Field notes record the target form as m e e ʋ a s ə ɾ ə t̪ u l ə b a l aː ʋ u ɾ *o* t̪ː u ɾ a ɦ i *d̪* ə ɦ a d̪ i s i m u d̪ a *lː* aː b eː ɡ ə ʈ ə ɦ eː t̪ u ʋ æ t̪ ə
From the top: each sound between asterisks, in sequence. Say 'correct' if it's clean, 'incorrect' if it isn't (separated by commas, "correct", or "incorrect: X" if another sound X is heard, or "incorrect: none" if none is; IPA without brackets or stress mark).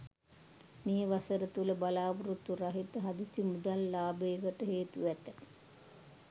incorrect: u, incorrect: t̪, correct